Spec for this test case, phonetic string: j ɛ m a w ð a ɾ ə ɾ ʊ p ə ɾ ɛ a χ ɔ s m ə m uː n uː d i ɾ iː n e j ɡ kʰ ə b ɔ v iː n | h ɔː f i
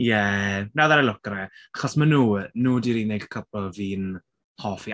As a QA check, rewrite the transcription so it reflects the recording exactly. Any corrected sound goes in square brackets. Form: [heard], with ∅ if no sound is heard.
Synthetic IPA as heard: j ɛ [n] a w ð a ɾ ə [l] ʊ [k] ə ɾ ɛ a χ ɔ s m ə [n] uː n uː d i ɾ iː n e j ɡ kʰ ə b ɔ v iː n | h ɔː f i